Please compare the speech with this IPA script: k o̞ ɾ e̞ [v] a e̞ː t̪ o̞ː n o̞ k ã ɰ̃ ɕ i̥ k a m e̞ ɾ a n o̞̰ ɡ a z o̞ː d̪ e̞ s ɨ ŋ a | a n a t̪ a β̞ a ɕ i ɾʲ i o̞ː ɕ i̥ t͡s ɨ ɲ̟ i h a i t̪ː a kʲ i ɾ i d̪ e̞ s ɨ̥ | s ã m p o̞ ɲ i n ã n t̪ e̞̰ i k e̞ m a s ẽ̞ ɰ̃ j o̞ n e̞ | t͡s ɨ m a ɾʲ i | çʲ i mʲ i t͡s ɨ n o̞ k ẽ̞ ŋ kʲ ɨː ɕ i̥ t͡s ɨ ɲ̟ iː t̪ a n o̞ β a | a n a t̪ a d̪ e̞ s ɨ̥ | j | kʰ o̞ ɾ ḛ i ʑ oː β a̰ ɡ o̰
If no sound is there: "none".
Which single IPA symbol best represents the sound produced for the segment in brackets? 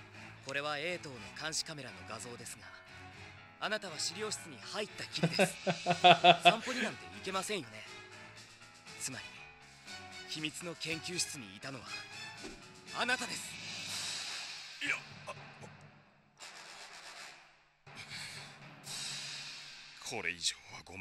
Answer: β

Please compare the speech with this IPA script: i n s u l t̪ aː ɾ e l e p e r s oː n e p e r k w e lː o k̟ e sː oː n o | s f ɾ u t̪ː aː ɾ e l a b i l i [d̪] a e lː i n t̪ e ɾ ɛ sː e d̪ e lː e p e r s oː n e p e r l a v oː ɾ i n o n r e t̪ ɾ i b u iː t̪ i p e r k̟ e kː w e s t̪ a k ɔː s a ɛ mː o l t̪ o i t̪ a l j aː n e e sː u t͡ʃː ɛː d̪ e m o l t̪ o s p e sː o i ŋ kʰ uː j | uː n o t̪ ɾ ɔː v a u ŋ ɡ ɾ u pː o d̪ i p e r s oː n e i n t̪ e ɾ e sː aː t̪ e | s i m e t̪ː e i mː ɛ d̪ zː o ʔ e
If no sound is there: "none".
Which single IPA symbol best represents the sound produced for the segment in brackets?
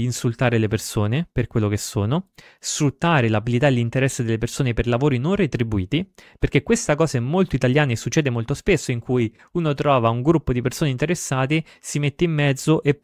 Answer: t̪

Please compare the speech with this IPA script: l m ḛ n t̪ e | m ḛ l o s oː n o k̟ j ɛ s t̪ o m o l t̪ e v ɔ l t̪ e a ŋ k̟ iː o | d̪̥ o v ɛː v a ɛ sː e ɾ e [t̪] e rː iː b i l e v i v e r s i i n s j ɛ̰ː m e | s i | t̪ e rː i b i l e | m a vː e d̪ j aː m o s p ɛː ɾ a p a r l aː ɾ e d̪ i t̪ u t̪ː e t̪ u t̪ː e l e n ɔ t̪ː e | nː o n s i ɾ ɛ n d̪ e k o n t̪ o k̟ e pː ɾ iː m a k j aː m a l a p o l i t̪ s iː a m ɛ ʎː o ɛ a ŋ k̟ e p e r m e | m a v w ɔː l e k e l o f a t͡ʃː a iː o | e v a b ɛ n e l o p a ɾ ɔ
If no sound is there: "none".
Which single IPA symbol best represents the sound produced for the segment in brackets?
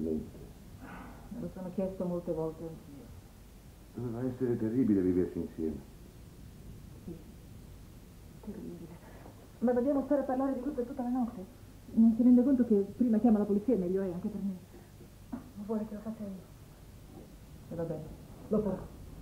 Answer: t̪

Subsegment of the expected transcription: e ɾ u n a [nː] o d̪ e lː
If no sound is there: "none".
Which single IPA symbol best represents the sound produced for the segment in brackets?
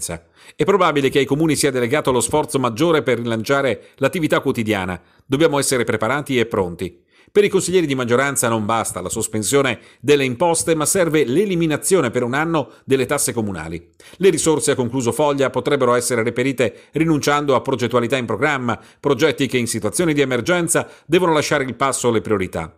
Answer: nː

